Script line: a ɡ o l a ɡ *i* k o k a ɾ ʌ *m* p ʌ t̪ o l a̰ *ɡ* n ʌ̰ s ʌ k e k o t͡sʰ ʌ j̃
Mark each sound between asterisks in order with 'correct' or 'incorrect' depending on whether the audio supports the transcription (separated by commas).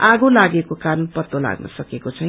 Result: incorrect, incorrect, correct